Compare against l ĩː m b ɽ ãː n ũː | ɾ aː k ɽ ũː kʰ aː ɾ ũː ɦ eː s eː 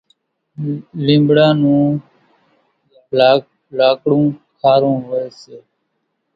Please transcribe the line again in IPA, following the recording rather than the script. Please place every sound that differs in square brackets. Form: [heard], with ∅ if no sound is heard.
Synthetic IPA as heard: l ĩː m b ɽ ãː n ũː | [l] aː k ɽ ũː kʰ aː ɾ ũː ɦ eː s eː